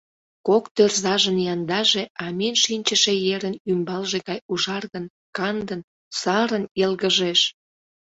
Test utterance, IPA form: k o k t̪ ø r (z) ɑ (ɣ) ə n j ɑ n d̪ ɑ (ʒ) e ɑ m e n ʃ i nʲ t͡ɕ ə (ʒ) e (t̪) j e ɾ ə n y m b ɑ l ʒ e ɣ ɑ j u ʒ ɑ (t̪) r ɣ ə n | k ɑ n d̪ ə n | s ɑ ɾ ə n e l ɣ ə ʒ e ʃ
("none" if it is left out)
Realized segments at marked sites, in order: z, ʒ, ʒ, ʃ, none, none

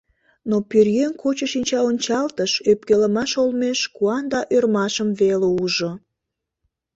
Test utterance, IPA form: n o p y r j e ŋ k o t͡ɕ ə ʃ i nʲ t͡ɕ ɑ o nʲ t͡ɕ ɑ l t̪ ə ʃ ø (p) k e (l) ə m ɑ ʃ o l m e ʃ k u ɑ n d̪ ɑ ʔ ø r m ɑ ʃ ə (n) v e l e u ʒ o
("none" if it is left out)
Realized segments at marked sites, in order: p, l, m

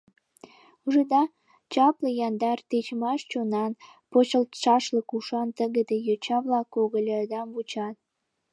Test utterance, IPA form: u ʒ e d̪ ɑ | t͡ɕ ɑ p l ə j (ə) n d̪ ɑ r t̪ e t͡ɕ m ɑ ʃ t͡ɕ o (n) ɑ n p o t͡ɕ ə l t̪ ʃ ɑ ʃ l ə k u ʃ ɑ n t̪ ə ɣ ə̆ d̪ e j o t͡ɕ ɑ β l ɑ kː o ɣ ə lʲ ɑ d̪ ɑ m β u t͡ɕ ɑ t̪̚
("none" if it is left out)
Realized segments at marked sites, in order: ɑ, n

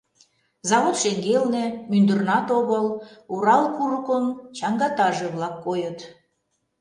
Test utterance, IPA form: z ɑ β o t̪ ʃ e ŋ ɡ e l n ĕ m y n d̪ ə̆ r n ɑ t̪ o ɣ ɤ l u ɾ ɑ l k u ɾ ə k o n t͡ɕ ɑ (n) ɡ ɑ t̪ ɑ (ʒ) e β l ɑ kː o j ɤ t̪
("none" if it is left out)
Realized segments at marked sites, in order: ŋ, ʒ

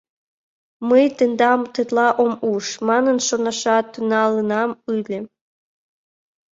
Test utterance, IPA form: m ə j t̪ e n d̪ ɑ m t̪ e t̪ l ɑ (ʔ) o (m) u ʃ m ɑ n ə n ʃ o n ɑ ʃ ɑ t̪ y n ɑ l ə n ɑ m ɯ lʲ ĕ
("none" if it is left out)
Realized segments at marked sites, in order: ʔ, m

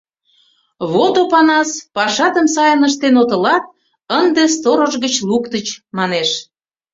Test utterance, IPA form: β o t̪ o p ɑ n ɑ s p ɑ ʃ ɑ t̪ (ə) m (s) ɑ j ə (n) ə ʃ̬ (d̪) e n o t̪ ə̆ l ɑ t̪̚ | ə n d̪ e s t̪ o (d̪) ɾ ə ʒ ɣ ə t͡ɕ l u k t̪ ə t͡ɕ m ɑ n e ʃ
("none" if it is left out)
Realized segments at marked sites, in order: ə, s, n, t̪, none

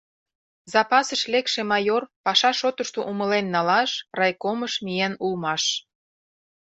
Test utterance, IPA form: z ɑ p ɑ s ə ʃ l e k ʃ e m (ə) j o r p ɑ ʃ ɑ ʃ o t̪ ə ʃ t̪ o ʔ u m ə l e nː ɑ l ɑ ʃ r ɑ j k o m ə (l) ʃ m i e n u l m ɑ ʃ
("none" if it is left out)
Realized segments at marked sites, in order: ɑ, none

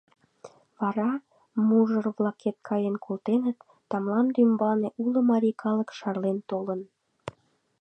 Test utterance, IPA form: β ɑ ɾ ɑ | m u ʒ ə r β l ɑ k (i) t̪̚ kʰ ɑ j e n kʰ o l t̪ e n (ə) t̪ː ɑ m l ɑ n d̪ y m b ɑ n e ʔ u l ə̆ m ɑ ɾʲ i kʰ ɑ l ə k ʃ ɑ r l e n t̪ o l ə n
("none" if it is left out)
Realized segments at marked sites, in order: e, ə

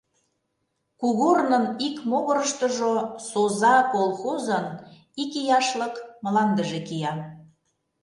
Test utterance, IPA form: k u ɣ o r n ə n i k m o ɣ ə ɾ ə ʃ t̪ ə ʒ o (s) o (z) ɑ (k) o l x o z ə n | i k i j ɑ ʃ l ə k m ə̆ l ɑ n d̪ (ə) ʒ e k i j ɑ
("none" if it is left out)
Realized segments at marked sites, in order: s, z, k, ə

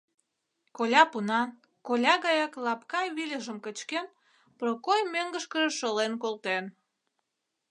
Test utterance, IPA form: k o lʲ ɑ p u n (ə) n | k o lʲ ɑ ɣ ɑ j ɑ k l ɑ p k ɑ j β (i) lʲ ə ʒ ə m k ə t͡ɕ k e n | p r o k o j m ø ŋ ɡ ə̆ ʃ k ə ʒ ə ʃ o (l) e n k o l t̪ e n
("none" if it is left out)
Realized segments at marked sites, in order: ɑ, i, l

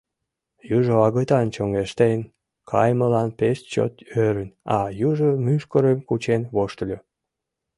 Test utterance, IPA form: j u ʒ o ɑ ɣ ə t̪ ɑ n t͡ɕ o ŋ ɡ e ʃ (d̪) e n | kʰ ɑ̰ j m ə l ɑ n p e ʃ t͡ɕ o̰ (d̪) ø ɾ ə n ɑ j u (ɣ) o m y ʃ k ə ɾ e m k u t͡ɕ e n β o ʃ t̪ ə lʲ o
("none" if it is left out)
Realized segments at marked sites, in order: t̪, t̪, ʒ

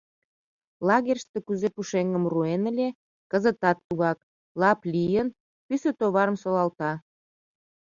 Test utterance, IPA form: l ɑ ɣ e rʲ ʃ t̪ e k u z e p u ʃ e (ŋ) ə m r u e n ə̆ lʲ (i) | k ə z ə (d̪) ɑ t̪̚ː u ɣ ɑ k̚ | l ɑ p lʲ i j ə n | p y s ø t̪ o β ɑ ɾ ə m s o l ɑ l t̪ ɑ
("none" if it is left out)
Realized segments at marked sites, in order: ŋ, e, t̪

